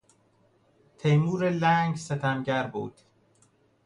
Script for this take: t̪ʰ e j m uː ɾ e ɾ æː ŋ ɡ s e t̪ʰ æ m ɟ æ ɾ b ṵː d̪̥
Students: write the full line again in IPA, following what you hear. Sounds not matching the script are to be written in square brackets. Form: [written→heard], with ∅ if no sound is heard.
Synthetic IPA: t̪ʰ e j m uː ɾ e [ɾ→l] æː ŋ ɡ s e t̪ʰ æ m ɟ æ ɾ b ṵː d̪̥